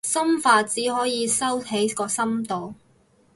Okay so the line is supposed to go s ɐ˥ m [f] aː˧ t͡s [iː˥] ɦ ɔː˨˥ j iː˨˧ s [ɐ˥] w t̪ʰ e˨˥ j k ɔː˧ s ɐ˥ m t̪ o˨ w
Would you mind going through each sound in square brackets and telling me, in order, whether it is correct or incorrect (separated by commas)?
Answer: correct, incorrect, correct